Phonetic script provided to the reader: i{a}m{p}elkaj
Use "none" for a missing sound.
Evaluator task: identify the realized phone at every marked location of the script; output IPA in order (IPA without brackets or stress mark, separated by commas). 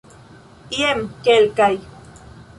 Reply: e, k